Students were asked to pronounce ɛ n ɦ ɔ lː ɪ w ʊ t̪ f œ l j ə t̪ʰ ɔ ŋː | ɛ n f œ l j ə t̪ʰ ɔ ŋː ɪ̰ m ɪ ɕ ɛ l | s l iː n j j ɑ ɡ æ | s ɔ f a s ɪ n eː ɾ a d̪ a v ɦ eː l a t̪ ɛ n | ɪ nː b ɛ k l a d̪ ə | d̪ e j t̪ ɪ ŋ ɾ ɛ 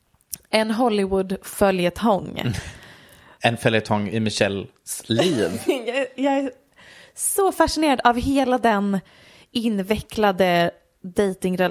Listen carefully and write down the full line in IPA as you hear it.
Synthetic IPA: ɛ n ɦ ɔ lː ɪ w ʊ d̪ f œ l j ə t̪ʰ ɔ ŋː | ɛ n f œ l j ə t̪ʰ ɔ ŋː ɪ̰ m ɪ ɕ ɛ l | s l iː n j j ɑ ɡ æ | s ɔ f a ʂ ɪ n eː ɾ a d̪ a v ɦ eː l a d̪ ɛ n | ɪ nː v ɛ k l a d̪ ə | d̪ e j t̪ ɪ ŋ ɾ ɛ